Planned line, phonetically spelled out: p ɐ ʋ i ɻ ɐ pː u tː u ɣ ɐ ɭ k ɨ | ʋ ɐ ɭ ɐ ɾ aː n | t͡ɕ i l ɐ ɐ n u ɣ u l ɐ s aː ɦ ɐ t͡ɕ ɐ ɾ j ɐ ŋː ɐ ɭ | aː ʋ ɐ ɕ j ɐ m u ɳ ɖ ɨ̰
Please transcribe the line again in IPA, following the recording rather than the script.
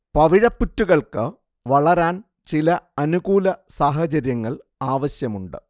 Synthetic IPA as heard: p ɐ ʋ i ɻ ɐ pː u tː u ɣ ɐ ɭ k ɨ | ʋ ɐ ɭ ɐ ɾ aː n | t͡ɕ i l ɐ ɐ n u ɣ uː l ɐ s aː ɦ ɐ t͡ɕ ɐ ɾ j ɐ ŋː ɐ ɭ | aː ʋ ɐ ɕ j ɐ m u ɳ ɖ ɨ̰